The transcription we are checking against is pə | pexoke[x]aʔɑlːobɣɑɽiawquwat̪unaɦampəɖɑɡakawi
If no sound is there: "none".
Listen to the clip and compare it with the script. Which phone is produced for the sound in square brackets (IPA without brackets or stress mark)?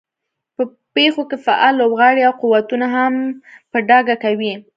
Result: f